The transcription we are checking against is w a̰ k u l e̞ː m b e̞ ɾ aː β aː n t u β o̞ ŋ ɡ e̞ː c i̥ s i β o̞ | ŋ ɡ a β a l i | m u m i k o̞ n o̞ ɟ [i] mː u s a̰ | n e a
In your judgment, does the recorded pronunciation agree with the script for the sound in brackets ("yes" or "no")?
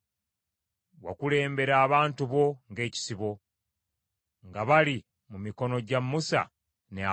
no